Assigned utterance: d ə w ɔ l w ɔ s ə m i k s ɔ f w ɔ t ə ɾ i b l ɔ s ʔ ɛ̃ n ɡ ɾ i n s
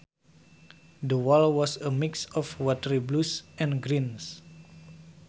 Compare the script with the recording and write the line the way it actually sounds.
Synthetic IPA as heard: d ə w ɔ l w ɔ s ə m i k s ɔ f w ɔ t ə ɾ i b l u s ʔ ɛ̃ n ɡ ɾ i n s